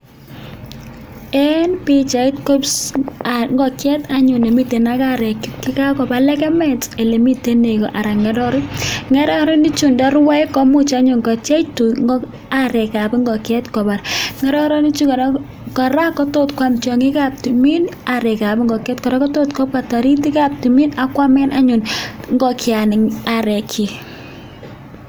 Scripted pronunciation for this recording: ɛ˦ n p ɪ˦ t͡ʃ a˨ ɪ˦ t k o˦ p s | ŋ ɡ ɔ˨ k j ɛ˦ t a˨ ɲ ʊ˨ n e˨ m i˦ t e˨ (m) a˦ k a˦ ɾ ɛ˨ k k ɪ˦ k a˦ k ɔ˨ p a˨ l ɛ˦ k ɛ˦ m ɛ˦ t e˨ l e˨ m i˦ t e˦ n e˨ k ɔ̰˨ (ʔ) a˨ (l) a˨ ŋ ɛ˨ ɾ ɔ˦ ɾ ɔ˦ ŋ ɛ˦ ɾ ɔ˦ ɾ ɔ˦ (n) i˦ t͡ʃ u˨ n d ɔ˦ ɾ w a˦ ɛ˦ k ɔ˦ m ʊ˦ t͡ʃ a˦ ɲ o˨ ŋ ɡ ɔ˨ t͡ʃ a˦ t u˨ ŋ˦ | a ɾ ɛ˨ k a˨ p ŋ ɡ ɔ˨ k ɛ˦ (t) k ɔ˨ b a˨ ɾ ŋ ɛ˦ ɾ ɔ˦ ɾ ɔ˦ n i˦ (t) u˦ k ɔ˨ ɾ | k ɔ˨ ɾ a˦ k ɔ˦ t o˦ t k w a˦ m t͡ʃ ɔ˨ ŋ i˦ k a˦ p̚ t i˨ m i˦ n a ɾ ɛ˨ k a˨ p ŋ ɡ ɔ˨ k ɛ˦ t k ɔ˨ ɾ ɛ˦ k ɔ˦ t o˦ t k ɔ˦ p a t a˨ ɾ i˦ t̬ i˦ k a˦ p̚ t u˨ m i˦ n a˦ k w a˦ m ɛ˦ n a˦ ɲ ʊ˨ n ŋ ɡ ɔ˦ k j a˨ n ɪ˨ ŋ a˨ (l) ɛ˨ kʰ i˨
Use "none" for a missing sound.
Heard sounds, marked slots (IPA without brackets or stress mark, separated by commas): n, ʔ, ɾ, n, t, t͡ʃ, ɾ